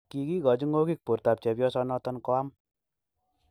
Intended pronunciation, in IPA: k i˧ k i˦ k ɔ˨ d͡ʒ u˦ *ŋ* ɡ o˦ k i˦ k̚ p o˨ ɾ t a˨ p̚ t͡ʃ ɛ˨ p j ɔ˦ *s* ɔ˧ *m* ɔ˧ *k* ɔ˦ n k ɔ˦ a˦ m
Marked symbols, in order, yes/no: yes, yes, no, no

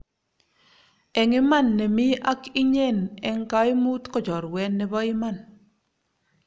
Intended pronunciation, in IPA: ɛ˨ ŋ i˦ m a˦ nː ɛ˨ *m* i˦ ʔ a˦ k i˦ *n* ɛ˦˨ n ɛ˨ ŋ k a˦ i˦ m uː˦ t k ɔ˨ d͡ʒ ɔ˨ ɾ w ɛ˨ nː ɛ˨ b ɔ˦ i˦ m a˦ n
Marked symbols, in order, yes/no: yes, no

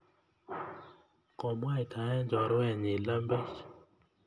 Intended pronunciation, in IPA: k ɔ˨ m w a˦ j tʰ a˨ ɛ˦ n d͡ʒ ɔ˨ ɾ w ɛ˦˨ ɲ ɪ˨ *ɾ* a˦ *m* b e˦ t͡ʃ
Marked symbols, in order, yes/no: no, yes

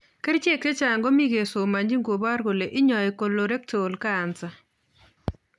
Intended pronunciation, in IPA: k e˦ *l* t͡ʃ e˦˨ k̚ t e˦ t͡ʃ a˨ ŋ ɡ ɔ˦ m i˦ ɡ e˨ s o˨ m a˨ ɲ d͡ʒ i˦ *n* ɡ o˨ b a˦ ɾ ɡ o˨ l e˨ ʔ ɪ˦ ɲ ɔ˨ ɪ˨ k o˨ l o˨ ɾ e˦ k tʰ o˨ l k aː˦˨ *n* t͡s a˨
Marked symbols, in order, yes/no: no, no, yes

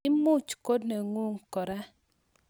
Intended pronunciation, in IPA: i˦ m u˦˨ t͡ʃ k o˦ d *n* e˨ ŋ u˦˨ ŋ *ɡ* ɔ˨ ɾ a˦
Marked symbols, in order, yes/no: yes, no

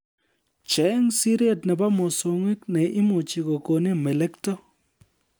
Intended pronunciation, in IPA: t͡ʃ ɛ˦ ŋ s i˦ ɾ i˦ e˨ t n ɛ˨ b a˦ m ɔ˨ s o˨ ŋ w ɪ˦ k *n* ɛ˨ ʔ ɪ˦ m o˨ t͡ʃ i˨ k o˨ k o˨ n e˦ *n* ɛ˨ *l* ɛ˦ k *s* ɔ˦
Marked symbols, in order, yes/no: yes, no, yes, no

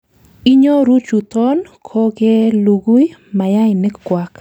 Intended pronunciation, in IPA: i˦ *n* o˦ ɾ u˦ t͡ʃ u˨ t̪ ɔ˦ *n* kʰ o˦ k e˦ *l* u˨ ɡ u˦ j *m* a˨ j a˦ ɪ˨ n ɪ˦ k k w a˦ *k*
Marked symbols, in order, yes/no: no, yes, yes, yes, yes

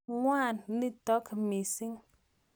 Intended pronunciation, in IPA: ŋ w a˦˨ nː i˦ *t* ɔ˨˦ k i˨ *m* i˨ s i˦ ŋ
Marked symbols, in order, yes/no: yes, yes

